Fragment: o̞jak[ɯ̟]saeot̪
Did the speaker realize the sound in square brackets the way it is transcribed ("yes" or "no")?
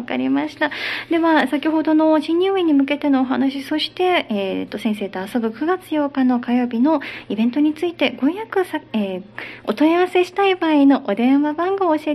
yes